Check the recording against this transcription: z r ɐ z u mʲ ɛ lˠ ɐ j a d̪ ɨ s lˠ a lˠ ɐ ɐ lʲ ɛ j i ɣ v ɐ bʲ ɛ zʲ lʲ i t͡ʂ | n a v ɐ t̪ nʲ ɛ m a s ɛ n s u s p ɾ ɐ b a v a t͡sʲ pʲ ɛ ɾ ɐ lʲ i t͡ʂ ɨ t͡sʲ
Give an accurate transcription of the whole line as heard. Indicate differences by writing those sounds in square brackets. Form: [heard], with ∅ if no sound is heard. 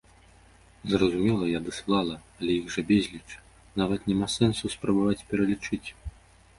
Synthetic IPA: z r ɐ z u mʲ ɛ lˠ ɐ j a d̪ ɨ s lˠ a lˠ ɐ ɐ lʲ ɛ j i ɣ [ʐ] ɐ bʲ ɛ zʲ lʲ i t͡ʂ | n a v ɐ t̪ nʲ ɛ m a s ɛ n s u s p ɾ ɐ b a v a t͡sʲ pʲ ɛ ɾ ɐ lʲ i t͡ʂ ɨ t͡sʲ